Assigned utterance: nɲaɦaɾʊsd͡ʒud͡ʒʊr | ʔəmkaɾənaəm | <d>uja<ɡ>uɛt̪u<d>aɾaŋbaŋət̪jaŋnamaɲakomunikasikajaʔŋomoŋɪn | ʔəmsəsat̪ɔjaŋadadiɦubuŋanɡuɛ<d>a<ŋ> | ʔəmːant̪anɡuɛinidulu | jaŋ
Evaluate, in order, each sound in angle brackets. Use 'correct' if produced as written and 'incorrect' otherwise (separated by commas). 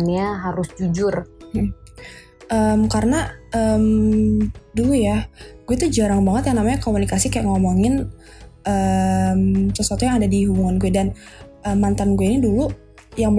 correct, correct, incorrect, correct, incorrect